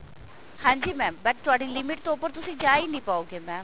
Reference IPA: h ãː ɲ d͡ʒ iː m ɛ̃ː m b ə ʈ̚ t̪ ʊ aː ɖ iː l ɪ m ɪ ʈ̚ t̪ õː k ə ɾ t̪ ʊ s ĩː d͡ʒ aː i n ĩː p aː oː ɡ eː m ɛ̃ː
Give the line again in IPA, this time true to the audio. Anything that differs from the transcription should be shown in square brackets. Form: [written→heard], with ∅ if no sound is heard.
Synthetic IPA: h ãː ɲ d͡ʒ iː m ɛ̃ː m b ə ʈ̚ t̪ ʊ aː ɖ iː l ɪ m ɪ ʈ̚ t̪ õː [k→p] ə ɾ t̪ ʊ s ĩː d͡ʒ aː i n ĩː p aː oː ɡ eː m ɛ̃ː

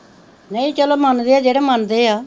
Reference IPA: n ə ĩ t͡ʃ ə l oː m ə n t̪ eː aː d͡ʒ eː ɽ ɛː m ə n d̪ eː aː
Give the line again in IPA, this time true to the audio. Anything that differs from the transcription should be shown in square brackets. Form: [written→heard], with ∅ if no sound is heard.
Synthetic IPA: n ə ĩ t͡ʃ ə l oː m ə n [t̪→d̪] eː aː d͡ʒ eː ɽ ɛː m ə n d̪ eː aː

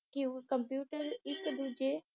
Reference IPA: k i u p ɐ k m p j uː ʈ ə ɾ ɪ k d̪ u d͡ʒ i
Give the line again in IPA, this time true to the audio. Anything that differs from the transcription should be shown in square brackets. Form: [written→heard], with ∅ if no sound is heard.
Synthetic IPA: k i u [p→k] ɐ [k→∅] m p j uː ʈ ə ɾ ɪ k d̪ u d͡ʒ [i→e]

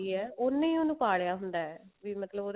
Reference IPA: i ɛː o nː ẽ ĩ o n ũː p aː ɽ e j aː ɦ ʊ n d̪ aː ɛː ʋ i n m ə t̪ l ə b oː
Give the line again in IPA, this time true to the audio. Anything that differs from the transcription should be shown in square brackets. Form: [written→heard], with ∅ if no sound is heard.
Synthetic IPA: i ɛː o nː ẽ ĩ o n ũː p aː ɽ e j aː ɦ ʊ n d̪ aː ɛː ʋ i [n→∅] m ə t̪ l ə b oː

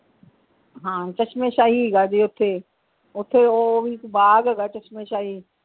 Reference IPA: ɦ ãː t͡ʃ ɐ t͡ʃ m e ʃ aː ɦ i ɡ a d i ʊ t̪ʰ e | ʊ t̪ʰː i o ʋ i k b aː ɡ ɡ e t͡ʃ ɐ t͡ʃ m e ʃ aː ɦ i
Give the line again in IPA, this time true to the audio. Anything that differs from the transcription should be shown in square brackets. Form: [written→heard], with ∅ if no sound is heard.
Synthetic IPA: ɦ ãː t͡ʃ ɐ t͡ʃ m e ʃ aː ɦ i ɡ a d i ʊ t̪ʰ e | ʊ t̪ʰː [i→e] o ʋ i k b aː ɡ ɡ [e→a] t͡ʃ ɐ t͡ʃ m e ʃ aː ɦ i

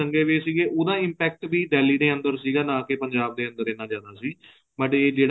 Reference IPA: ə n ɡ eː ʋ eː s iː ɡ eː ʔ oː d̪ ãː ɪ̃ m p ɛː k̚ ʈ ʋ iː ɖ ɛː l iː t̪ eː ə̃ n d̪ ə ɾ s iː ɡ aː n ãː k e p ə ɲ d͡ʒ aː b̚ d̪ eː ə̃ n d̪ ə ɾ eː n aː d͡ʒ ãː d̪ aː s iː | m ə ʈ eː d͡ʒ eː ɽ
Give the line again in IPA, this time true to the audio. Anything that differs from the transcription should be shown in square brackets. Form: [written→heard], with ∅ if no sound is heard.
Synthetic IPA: ə [n→ŋ] ɡ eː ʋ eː s iː ɡ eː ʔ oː d̪ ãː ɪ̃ m p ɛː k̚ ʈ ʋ iː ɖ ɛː l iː [t̪→d̪] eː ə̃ n d̪ ə ɾ s iː ɡ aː n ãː k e p ə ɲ d͡ʒ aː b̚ d̪ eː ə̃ n d̪ ə ɾ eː n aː d͡ʒ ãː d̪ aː s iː | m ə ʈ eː d͡ʒ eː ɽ

